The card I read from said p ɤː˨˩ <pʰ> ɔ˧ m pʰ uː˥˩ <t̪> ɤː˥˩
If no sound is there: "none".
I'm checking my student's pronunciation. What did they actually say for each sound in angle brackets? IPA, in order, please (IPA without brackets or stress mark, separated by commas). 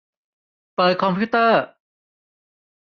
kʰ, t̪